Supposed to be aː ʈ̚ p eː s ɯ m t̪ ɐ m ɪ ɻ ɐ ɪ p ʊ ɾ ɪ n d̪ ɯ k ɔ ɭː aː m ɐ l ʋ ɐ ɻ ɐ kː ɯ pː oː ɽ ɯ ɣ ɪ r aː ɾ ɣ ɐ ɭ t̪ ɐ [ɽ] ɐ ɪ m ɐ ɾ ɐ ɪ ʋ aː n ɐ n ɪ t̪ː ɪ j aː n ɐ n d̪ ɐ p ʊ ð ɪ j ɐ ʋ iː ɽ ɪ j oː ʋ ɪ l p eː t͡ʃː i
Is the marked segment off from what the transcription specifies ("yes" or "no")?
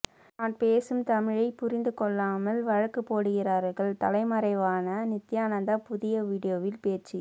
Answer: yes